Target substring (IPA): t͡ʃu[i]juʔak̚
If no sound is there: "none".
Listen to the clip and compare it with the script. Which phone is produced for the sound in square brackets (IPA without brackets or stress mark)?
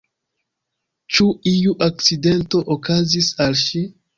i